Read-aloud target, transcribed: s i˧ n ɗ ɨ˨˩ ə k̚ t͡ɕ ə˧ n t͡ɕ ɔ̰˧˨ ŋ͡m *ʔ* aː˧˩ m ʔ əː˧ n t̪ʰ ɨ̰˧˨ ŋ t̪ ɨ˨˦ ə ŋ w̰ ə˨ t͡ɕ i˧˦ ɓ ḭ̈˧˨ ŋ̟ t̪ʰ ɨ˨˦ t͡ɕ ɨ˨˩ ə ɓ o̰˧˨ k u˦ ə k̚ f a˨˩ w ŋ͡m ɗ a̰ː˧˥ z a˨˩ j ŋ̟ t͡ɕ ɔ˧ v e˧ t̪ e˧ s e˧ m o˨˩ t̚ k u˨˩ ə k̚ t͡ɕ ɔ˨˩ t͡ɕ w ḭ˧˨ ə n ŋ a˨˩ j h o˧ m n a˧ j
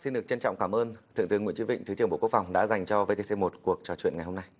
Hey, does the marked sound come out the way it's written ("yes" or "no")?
no